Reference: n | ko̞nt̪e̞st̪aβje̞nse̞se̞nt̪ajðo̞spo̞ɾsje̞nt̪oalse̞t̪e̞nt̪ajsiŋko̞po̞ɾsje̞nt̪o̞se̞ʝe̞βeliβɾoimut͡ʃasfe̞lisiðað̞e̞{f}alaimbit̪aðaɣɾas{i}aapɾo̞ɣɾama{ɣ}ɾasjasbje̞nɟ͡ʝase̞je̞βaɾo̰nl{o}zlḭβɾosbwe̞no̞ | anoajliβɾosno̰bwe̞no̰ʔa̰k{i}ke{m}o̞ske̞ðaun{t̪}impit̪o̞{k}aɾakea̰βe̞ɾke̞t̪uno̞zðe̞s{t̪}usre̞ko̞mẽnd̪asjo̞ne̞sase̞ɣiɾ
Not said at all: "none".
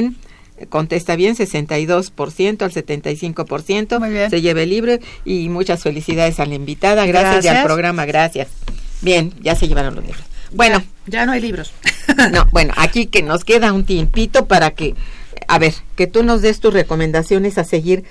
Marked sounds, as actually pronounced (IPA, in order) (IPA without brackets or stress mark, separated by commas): s, j, ɣ, o, i, n, t̪, p, t̪